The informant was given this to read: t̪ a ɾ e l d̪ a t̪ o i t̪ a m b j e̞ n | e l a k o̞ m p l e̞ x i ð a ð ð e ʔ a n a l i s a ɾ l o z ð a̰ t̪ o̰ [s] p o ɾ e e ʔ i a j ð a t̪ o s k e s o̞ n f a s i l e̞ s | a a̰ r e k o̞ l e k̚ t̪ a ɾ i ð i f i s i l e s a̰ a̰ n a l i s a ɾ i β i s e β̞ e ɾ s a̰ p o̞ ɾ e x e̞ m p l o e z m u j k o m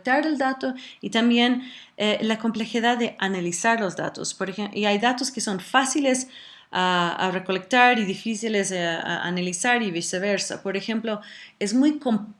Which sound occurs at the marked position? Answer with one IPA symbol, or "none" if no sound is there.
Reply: s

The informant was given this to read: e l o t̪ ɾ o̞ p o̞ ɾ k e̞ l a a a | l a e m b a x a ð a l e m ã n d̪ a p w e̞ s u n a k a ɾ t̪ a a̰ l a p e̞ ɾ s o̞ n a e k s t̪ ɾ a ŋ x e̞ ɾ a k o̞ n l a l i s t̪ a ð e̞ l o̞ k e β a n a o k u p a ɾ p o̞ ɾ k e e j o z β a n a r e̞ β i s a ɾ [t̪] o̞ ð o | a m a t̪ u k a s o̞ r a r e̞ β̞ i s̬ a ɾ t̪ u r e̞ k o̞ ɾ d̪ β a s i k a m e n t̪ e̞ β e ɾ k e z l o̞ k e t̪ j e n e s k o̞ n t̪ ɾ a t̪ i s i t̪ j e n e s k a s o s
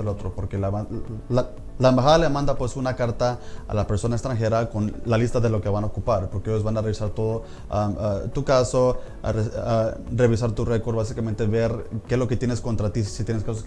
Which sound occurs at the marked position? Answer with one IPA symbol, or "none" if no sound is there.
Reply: t̪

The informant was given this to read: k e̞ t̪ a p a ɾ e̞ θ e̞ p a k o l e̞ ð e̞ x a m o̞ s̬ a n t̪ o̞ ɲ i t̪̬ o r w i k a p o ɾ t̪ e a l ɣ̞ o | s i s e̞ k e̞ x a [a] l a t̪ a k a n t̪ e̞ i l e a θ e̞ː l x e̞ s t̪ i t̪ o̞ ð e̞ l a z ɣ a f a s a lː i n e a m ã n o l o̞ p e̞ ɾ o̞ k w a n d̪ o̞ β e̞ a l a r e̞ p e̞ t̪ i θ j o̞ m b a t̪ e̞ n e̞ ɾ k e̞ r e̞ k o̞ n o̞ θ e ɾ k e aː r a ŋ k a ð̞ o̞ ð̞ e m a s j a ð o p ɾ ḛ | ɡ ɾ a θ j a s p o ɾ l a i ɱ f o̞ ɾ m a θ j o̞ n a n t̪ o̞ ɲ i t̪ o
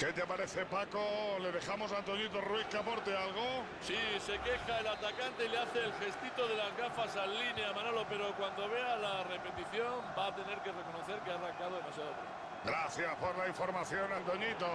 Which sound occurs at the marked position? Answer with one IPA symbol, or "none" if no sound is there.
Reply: e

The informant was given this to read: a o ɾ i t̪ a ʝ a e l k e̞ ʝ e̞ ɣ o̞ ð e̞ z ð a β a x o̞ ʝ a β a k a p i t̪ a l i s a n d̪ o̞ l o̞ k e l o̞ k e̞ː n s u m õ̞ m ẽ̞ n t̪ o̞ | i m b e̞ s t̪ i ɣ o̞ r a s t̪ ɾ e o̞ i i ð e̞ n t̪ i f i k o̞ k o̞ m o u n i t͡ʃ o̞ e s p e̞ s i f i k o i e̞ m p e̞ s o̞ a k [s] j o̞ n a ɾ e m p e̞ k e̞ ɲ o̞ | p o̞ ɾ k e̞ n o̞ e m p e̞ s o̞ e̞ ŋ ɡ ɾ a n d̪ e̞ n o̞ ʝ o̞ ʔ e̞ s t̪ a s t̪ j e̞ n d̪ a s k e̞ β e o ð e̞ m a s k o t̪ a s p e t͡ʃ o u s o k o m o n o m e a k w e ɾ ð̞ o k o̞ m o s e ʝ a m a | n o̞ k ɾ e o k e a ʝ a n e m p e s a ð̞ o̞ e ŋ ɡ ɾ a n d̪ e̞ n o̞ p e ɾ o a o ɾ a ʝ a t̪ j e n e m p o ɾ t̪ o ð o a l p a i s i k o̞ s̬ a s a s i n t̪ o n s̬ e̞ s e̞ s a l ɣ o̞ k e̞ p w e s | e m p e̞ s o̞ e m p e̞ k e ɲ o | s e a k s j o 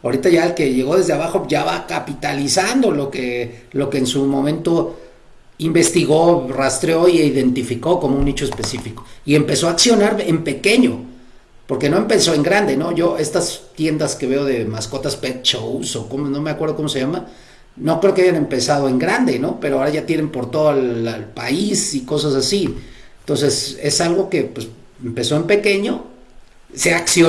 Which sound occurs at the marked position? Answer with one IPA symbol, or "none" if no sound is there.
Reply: s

